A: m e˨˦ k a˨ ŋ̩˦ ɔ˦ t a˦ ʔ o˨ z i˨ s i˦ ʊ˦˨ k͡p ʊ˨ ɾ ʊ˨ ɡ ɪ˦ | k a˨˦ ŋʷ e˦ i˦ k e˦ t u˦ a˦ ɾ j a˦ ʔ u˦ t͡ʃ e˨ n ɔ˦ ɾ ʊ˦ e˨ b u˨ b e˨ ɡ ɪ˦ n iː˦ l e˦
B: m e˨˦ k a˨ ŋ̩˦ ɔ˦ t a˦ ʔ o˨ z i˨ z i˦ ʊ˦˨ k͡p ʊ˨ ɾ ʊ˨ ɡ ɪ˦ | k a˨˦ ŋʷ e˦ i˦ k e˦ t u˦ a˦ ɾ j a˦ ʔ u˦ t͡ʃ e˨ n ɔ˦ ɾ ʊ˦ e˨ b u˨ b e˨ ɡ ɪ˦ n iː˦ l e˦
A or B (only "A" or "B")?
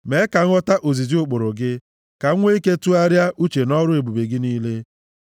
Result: B